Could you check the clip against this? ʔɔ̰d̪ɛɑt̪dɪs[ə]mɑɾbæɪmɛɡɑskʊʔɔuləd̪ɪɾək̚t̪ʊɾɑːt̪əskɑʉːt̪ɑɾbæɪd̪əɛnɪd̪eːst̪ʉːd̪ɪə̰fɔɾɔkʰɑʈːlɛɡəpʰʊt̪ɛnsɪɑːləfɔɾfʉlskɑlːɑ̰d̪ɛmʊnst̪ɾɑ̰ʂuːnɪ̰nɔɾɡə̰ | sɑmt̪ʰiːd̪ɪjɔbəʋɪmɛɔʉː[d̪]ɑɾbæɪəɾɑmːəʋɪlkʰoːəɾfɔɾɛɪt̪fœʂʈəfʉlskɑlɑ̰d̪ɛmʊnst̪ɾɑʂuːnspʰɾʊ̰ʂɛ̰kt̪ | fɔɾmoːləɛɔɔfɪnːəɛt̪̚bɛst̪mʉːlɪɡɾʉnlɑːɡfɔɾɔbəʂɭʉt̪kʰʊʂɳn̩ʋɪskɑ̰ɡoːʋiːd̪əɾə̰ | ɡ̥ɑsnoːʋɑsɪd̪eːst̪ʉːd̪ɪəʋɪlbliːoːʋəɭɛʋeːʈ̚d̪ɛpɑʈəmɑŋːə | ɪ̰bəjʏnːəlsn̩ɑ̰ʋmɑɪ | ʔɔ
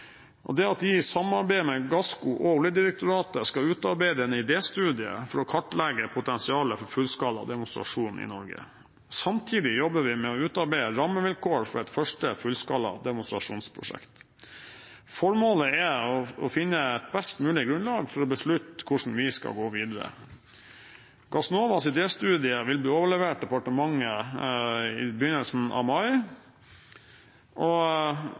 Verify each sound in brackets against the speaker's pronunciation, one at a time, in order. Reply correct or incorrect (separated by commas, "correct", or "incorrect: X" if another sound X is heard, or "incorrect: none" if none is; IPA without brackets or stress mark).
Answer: incorrect: ɑ, incorrect: t̪